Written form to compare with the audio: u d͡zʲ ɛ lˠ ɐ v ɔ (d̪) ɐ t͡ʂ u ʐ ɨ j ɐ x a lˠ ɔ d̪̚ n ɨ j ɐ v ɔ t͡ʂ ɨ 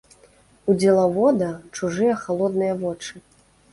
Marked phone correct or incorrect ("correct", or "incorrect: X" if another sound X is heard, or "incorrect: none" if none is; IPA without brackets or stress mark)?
correct